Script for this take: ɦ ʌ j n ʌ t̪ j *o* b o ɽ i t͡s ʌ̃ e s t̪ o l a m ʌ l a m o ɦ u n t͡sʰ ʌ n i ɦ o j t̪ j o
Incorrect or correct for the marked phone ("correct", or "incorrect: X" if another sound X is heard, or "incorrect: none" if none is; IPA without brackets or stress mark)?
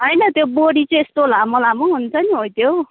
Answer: correct